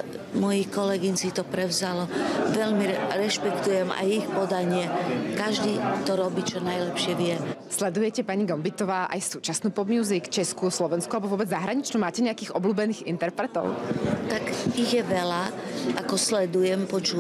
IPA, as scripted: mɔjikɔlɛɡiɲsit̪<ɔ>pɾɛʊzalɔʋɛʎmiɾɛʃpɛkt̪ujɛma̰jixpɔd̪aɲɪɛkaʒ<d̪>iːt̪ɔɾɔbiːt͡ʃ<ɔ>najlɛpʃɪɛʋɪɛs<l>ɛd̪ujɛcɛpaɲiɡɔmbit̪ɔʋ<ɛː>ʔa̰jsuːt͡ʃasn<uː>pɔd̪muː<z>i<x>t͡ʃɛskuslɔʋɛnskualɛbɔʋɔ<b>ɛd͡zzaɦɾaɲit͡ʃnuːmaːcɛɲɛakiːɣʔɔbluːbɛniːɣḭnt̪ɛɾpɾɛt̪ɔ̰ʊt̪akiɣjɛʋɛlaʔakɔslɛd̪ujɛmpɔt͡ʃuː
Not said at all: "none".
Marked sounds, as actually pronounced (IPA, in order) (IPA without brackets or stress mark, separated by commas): ɔ, d̪, ɔ, l, aː, uː, z, k, b